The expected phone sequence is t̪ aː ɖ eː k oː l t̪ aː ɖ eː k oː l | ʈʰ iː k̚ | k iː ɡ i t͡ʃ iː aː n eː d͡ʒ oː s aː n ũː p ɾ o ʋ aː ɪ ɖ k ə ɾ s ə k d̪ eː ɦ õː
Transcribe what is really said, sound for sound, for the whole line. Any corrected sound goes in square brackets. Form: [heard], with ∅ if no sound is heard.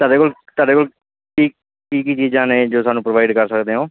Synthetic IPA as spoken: t̪ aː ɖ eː k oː l t̪ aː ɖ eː k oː l | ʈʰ iː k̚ | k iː [k] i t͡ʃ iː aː n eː d͡ʒ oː s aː n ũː p ɾ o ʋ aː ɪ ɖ k ə ɾ s ə k d̪ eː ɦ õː